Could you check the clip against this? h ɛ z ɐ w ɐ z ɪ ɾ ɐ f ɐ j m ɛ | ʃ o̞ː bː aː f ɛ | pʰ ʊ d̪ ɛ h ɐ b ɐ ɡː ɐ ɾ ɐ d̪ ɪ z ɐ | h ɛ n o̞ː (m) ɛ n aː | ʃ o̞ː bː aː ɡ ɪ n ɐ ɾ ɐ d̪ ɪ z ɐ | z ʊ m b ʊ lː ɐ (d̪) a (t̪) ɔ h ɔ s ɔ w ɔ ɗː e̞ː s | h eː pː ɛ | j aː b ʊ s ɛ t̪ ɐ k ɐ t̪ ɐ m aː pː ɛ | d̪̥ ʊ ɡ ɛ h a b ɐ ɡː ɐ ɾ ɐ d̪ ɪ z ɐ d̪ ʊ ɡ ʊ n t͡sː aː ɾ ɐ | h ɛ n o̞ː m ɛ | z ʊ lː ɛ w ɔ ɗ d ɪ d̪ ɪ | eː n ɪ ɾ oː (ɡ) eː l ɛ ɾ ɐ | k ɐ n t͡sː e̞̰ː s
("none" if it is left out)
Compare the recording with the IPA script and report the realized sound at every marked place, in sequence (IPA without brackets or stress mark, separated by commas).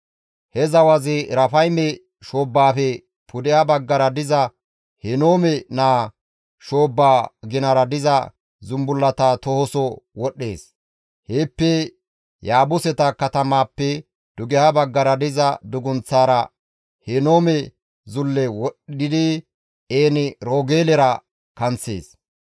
m, t̪, t̪, ɡ